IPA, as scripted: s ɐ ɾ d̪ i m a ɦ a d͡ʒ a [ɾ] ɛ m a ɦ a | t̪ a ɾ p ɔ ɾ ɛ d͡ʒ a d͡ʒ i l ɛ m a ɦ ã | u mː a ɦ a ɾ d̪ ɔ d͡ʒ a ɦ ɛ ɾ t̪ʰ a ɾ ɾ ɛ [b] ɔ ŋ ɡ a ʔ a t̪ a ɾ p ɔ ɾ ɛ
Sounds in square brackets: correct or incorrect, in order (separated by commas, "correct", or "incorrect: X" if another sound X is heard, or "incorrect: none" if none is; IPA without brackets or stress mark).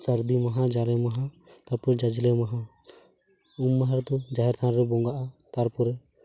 incorrect: l, correct